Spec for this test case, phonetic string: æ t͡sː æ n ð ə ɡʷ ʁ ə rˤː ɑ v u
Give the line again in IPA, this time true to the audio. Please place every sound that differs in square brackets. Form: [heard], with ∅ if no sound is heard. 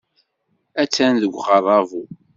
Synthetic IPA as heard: æ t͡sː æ n ð ə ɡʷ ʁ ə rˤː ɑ v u